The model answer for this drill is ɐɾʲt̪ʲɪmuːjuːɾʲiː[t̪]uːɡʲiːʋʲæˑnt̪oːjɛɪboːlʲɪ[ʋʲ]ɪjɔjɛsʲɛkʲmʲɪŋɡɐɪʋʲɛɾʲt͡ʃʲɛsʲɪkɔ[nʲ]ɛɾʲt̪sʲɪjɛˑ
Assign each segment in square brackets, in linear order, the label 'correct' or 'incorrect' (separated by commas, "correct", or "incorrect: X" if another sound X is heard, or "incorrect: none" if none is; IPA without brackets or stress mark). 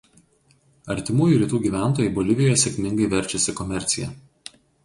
correct, correct, incorrect: mʲ